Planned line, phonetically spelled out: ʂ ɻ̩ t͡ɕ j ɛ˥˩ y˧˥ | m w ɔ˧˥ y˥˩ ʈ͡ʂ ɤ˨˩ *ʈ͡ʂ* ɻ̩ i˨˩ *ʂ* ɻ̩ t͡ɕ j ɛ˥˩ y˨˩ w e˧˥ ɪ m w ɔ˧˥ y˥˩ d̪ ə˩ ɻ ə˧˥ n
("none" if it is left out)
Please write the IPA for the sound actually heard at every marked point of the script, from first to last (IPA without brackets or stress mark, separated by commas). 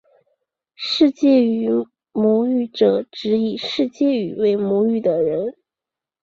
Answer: ʈ͡ʂ, ʂ